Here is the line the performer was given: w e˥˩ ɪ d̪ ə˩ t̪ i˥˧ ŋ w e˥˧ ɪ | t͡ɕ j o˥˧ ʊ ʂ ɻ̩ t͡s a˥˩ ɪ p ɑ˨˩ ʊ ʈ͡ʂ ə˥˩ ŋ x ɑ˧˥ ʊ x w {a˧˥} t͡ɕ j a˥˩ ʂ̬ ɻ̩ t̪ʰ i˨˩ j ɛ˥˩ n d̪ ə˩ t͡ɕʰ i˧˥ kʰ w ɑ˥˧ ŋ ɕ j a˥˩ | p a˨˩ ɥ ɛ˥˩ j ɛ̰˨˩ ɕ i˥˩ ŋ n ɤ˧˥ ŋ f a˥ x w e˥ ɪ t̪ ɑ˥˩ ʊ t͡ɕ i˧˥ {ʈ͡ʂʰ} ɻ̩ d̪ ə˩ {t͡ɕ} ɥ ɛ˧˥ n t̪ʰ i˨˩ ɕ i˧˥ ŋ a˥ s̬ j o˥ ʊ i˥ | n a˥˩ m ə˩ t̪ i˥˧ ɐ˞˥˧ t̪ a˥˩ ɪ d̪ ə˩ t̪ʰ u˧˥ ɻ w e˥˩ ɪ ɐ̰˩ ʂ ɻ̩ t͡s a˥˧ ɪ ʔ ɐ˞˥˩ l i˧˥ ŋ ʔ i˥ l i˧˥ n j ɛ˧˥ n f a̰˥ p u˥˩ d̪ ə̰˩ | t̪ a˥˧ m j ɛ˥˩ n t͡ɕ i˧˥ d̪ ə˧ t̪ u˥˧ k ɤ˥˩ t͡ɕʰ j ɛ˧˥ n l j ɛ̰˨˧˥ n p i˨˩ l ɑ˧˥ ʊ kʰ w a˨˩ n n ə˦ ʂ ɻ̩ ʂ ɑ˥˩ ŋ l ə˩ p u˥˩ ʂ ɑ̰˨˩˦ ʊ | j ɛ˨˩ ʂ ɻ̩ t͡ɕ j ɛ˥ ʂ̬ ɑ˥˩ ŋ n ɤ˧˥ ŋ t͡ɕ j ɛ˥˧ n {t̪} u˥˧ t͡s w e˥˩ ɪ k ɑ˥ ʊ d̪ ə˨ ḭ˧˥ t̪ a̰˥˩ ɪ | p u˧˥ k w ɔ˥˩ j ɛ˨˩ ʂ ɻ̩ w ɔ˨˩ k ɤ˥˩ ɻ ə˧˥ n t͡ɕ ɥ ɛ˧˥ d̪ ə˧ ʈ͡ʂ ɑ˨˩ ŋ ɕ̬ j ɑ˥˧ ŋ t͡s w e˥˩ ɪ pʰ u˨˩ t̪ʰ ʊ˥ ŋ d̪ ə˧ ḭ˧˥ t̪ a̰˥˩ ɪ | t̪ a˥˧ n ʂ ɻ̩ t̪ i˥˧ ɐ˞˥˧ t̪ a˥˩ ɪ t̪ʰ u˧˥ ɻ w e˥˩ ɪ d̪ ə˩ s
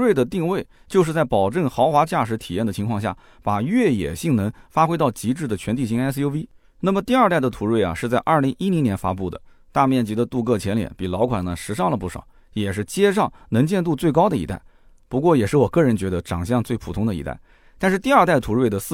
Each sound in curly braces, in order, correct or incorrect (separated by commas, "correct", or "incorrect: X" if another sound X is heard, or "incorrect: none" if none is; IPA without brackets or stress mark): correct, incorrect: ʈ͡ʂ, incorrect: t͡ɕʰ, correct